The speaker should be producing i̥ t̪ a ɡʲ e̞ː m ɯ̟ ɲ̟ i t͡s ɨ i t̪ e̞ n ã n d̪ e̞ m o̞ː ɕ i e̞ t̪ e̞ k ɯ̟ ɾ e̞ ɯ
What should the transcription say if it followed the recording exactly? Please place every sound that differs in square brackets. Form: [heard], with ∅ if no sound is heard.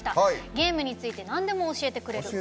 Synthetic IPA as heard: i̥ t̪ a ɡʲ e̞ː m ɯ̟ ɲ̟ i t͡s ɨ i t̪ e̞ n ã n d̪ e̞ m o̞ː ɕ i e̞ t̪ e̞ k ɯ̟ ɾ e̞ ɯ

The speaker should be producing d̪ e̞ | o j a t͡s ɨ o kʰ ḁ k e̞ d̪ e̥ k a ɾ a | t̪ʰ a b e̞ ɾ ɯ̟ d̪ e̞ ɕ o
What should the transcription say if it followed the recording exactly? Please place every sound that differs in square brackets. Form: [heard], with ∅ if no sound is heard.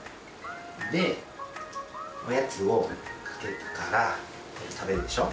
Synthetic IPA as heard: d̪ e̞ | o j a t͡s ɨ o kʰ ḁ k e̞ [t̪] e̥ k a ɾ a | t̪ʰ a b e̞ ɾ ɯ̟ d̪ e̞ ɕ o

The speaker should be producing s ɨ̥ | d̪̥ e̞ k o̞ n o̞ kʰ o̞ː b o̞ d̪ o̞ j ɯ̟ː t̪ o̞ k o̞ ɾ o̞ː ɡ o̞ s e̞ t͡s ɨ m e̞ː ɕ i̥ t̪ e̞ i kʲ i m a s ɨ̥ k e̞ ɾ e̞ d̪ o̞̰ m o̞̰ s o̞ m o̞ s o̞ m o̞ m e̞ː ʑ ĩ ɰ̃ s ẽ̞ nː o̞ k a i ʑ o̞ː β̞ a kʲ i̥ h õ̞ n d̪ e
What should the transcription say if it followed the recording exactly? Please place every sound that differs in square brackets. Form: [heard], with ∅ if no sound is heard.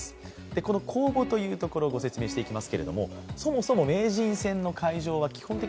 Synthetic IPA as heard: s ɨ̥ | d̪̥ e̞ k o̞ n o̞ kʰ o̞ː b o̞ [t̪] o̞ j ɯ̟ː t̪ o̞ k o̞ ɾ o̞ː ɡ o̞ s e̞ t͡s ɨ m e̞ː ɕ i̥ t̪ e̞ i kʲ i m a s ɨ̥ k e̞ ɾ e̞ d̪ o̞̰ m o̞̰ s o̞ m o̞ s o̞ m o̞ m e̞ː ʑ ĩ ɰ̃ s ẽ̞ nː o̞ k a i ʑ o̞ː β̞ a kʲ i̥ h õ̞ n [t̪] e

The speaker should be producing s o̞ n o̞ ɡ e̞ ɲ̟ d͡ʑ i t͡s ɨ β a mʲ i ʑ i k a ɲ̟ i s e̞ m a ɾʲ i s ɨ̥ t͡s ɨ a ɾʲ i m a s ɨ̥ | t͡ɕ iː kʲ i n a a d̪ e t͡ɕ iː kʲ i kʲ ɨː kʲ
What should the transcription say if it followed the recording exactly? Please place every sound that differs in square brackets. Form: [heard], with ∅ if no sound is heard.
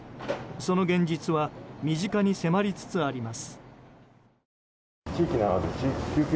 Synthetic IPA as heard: s o̞ n o̞ ɡ [ẽ̞] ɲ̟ d͡ʑ i t͡s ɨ β a mʲ i ʑ i k a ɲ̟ i s e̞ m a ɾʲ i [t͡s] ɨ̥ t͡s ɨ a ɾʲ i m a s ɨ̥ | t͡ɕ iː kʲ i n a a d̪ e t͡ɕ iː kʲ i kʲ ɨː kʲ

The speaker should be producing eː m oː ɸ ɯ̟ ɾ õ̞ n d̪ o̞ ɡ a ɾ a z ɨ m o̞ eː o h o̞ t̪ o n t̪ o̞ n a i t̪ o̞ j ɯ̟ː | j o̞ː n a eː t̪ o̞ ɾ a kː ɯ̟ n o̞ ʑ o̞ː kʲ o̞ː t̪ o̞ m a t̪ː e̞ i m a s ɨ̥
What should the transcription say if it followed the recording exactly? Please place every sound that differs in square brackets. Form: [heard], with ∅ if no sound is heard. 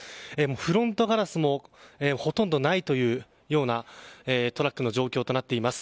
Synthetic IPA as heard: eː m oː ɸ ɯ̟ ɾ õ̞ n [t̪] o̞ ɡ a ɾ a [s] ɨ m o̞ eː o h o̞ t̪ o n [d̪] o̞ n a i t̪ o̞ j ɯ̟ː | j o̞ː n a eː t̪ o̞ ɾ a kː ɯ̟ n o̞ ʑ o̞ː kʲ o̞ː t̪ o̞ [n] a t̪ː e̞ i m a s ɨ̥

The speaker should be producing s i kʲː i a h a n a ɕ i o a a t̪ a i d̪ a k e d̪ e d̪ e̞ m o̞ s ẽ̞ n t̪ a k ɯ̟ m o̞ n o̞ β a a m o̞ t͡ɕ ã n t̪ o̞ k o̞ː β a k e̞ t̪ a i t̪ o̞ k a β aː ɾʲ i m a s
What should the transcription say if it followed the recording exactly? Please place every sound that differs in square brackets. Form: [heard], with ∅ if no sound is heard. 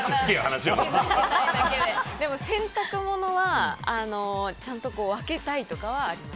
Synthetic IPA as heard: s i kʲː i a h a n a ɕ i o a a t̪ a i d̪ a k e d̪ e d̪ e̞ m o̞ s ẽ̞ n t̪ a k ɯ̟ m o̞ n o̞ β a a [n] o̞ t͡ɕ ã n t̪ o̞ k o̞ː β a k e̞ t̪ a i t̪ o̞ k a β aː ɾʲ i m a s

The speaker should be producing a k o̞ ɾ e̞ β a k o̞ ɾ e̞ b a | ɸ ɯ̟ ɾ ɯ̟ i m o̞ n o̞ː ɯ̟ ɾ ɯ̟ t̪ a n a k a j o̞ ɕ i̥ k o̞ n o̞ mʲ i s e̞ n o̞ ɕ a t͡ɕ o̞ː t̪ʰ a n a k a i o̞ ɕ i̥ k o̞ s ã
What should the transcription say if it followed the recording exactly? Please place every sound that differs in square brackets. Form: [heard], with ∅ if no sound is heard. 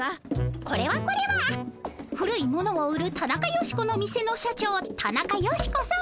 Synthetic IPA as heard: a k o̞ ɾ e̞ β a k o̞ ɾ e̞ [β] a | ɸ ɯ̟ ɾ ɯ̟ i m o̞ n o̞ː ɯ̟ ɾ ɯ̟ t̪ a n a k a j o̞ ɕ i̥ k o̞ n o̞ mʲ i s e̞ n o̞ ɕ a t͡ɕ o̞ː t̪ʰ a n a k a [j] o̞ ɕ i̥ k o̞ s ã

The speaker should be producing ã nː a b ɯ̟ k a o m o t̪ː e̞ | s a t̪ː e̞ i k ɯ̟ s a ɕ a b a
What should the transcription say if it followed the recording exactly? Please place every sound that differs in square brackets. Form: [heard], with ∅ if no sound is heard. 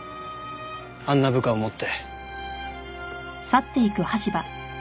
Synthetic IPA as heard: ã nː a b ɯ̟ k a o m o t̪ː e̞ | s a t̪ː e̞ i k ɯ̟ [h] a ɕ [i] b a

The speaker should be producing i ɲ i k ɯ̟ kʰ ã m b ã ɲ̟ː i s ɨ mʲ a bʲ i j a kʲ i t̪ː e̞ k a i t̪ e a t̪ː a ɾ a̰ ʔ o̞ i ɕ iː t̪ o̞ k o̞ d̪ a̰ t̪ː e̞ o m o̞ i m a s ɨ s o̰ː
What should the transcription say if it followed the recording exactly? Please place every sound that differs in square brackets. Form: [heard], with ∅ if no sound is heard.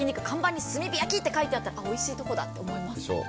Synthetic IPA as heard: i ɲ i k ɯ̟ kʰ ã m b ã ɲ̟ː i s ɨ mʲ [i] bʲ i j a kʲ i t̪ː e̞ k a i t̪ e a t̪ː a ɾ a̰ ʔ o̞ i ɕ iː t̪ o̞ k o̞ d̪ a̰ t̪ː e̞ o m o̞ i m a s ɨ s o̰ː

